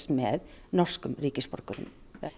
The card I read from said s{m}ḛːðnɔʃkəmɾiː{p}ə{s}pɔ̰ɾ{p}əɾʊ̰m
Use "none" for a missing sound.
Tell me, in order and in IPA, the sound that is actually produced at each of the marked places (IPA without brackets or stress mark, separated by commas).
m, k, s, k